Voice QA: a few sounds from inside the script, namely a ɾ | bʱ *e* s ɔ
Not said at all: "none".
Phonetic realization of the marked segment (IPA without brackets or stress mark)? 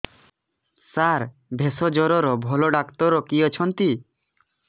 e